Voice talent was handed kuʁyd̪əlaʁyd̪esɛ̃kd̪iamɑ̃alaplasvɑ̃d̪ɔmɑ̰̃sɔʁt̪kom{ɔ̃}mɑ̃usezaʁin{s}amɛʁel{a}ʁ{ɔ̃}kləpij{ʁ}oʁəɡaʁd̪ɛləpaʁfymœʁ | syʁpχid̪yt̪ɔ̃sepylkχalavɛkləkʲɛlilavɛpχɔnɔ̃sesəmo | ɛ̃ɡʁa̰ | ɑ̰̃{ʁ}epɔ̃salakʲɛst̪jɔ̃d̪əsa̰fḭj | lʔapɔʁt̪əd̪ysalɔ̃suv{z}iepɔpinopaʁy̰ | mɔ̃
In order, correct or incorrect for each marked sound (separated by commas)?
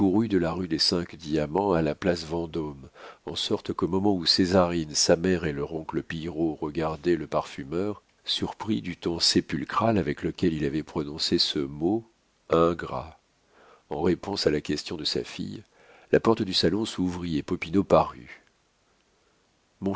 incorrect, correct, incorrect, correct, correct, correct, incorrect